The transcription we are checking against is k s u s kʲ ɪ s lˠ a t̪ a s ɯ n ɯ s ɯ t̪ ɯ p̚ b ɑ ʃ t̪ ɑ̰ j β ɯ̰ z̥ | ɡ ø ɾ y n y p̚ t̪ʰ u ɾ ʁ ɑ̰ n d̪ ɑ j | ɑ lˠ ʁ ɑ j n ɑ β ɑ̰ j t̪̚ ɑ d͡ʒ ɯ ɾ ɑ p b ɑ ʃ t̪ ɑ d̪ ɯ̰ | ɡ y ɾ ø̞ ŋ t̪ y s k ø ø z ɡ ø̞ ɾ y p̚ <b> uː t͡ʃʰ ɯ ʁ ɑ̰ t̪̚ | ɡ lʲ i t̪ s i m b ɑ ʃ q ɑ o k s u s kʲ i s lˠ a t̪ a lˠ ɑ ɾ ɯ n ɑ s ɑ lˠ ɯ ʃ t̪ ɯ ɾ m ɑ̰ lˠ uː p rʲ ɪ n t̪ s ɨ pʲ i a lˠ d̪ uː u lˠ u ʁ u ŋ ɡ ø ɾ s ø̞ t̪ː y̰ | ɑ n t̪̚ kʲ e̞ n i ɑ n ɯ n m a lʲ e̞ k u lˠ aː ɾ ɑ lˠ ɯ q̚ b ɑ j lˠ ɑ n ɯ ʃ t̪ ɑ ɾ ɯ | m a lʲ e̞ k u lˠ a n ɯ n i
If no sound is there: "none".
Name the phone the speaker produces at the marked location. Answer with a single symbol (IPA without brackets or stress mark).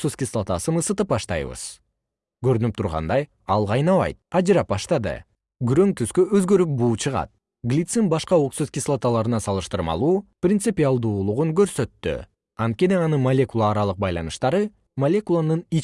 b